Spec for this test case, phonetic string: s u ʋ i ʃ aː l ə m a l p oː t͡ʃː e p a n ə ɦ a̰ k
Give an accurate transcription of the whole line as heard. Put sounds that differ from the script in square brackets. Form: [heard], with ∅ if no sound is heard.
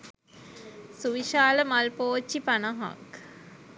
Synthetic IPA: s u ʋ i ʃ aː l ə m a l p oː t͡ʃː [i] p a n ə ɦ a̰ k